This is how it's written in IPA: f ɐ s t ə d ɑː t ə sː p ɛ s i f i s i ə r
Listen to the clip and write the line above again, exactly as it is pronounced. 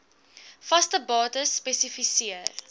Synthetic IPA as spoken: f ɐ s t ə b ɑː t ə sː p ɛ s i f i s i ə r